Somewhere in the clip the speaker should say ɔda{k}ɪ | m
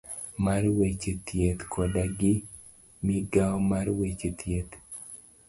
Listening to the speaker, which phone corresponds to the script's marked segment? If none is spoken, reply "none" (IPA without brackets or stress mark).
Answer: ɡ